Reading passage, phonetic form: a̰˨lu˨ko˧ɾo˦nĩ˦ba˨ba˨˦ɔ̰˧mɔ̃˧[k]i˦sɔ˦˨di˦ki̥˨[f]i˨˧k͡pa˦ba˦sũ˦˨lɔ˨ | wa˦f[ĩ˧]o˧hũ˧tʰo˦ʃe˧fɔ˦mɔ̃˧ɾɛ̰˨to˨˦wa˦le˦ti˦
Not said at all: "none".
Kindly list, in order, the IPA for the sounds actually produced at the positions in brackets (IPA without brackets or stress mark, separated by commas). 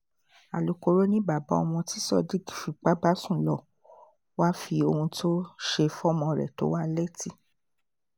t, f, i˧